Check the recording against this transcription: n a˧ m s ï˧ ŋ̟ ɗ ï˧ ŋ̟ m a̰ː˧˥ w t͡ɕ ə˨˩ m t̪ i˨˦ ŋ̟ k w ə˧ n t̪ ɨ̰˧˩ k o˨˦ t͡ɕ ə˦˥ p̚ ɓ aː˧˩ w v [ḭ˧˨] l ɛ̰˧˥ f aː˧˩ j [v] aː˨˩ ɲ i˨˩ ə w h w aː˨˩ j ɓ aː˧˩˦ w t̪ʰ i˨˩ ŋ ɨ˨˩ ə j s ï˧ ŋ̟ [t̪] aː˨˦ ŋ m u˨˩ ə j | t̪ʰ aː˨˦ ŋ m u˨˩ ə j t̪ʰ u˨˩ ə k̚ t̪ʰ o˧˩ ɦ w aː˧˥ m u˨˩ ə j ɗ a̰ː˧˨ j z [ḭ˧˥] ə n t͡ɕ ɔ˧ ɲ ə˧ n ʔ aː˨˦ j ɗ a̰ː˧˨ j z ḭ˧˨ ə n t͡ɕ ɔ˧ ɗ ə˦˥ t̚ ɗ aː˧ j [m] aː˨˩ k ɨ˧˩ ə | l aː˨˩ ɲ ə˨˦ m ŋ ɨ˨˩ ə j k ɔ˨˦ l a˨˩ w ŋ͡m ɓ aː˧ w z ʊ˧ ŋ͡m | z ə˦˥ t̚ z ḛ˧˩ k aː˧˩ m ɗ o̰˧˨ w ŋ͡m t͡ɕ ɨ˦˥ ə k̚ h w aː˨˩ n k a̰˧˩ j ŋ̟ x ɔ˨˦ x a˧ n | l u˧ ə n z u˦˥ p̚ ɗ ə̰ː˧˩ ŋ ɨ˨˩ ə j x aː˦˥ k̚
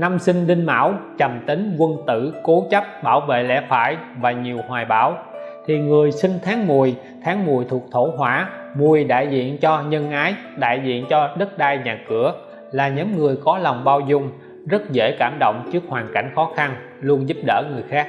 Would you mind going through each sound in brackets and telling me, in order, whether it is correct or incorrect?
incorrect: ḛ˧˨, correct, incorrect: t̪ʰ, incorrect: ḭ˧˨, incorrect: ɲ

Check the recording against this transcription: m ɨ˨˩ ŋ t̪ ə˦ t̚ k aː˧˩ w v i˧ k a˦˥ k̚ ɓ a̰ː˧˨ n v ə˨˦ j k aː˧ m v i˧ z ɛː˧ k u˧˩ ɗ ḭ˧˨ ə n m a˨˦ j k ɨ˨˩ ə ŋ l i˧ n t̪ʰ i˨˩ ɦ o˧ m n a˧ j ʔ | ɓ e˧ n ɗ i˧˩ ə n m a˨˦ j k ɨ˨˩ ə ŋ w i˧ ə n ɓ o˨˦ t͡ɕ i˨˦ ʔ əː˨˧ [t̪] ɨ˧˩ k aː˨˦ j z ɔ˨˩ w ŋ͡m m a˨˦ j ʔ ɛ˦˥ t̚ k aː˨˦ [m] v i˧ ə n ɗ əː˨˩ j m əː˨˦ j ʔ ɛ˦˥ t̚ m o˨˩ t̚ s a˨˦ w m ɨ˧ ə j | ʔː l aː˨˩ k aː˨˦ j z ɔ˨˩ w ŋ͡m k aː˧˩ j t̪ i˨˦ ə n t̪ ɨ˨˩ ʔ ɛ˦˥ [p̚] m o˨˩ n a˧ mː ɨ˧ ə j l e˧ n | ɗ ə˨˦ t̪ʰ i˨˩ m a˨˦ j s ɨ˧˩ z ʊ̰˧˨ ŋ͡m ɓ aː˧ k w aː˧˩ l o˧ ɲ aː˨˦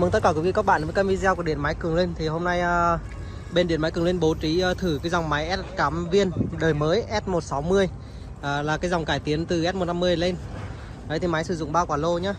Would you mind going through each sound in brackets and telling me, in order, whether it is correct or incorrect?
incorrect: t̪ʰ, correct, incorrect: t̚

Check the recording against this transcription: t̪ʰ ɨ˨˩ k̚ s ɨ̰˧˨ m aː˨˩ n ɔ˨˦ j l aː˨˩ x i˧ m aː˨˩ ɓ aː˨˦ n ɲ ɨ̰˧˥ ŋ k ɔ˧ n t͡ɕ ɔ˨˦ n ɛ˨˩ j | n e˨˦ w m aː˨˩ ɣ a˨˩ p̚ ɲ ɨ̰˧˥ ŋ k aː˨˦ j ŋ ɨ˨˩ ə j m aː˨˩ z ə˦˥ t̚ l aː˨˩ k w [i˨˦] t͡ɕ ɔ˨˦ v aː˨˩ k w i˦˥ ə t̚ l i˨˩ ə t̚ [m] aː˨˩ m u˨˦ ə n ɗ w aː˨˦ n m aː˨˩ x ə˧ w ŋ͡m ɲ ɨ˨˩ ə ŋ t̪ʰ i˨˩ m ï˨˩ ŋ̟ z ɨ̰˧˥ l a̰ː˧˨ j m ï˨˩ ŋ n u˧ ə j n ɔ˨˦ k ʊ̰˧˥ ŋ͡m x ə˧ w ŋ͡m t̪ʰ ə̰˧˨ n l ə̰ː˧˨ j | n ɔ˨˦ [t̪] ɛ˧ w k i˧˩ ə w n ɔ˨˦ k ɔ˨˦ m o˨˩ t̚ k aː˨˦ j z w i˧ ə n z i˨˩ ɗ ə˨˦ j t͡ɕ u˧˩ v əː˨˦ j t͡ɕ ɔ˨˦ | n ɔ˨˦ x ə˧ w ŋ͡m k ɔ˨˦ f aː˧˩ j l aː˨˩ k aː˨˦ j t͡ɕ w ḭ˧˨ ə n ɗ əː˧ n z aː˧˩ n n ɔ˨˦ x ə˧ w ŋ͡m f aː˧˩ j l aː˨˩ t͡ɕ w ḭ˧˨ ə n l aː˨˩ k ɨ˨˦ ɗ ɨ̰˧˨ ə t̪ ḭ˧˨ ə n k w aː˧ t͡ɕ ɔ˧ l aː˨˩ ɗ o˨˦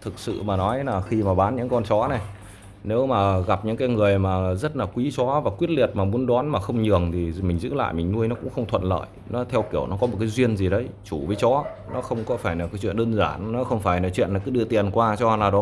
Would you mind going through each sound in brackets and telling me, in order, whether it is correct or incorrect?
correct, correct, incorrect: t̪ʰ

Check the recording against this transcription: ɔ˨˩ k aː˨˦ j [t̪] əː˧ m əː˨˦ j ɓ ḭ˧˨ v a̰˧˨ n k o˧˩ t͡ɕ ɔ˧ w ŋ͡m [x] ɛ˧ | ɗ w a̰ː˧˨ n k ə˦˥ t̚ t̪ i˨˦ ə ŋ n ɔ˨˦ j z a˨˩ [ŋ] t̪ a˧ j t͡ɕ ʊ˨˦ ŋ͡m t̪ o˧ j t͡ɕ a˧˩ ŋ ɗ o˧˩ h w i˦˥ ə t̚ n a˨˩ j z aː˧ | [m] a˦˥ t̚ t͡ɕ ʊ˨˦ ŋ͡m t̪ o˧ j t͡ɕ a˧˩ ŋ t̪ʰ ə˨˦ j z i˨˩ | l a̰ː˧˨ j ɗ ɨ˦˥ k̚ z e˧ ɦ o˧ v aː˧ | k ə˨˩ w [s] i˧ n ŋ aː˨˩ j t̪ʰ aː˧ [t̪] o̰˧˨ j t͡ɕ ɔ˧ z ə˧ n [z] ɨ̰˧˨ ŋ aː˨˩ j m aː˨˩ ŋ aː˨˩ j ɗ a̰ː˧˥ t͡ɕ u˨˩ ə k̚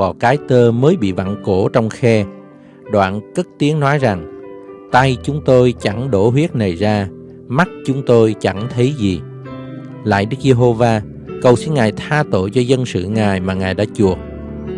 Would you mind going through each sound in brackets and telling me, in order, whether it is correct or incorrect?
correct, correct, correct, correct, correct, correct, incorrect: s

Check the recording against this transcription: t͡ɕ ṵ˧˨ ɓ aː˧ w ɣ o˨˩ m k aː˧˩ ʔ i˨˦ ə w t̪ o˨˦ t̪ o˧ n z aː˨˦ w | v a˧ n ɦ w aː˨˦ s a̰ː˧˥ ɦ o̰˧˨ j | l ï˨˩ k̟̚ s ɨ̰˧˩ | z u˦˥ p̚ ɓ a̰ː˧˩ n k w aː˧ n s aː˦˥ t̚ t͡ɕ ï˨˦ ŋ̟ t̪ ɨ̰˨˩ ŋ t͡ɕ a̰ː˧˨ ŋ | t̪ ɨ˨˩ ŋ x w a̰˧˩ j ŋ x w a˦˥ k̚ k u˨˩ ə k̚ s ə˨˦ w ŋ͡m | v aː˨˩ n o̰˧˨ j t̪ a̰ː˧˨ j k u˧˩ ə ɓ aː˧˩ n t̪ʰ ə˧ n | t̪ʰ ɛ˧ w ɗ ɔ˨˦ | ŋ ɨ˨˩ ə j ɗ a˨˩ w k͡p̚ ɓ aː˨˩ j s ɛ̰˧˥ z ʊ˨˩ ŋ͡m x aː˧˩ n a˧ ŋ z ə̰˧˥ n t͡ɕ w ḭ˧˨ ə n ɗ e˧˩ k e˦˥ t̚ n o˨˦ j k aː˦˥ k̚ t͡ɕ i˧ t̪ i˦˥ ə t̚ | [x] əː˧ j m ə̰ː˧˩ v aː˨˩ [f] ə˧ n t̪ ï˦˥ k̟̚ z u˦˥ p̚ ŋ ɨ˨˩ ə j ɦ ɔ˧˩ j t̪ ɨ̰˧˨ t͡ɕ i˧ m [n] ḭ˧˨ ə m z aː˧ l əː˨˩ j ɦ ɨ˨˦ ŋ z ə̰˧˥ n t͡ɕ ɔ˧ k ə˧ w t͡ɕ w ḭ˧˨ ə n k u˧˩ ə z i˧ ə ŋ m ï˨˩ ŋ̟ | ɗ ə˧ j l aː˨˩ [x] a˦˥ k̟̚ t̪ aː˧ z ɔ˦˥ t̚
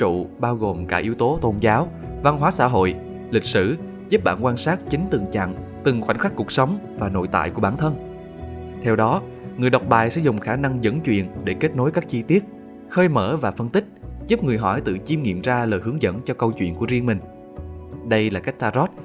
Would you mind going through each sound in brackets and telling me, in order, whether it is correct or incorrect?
correct, correct, incorrect: ŋ, incorrect: k

